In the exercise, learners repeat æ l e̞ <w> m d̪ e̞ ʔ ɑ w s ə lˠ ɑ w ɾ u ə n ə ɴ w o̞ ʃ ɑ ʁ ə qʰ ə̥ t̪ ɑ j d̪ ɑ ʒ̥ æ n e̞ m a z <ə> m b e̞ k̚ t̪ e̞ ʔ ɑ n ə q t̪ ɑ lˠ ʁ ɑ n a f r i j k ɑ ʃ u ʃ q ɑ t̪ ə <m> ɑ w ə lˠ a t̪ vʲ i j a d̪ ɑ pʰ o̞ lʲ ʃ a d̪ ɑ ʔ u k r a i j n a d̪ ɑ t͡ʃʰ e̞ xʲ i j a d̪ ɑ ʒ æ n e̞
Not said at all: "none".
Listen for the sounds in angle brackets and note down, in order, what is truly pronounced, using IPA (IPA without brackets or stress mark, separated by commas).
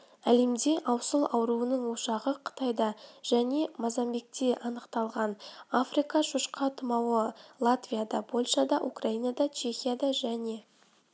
none, ɑ, m